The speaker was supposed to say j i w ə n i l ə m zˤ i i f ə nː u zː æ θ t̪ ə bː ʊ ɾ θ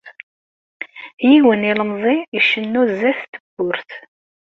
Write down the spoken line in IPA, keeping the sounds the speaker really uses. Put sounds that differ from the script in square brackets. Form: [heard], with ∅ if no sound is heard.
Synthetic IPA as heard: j i w ə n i l ə m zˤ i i [ʃ] ə nː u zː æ θ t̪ ə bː ʊ ɾ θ